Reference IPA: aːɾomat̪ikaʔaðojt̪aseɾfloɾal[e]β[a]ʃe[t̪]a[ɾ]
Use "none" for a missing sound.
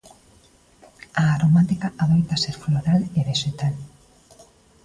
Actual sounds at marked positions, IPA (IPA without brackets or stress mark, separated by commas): e, e, t̪, l